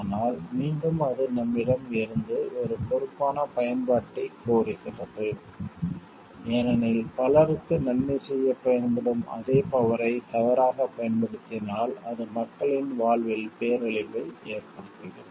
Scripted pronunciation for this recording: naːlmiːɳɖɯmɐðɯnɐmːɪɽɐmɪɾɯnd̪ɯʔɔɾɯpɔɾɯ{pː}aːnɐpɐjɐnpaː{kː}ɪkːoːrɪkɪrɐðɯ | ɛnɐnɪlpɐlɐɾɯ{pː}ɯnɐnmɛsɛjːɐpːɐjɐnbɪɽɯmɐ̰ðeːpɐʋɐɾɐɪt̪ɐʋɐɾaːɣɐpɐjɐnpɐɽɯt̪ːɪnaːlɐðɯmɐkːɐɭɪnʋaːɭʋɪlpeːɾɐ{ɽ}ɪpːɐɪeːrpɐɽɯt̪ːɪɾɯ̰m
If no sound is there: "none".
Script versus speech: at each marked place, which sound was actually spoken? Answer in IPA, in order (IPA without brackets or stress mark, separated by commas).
pː, ʈː, kː, ɭ